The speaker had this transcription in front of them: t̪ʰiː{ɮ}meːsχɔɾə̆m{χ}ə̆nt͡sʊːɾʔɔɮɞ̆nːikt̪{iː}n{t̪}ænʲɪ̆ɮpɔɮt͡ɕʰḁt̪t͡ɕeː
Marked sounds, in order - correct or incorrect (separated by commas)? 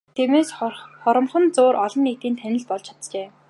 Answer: incorrect, correct, correct, incorrect